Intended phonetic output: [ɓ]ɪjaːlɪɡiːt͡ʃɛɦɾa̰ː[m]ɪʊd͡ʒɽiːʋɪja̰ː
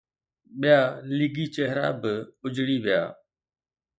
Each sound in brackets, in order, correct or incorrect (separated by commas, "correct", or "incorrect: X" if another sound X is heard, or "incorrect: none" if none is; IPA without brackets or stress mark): correct, incorrect: b